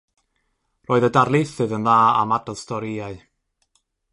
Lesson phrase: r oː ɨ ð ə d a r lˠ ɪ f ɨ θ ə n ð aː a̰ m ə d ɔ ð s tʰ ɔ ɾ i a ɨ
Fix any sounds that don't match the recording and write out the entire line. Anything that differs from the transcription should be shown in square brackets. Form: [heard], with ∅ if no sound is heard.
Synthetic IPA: r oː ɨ ð ə d a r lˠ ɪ [θ] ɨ [ð] ə n ð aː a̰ m [a] d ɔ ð s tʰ ɔ ɾ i a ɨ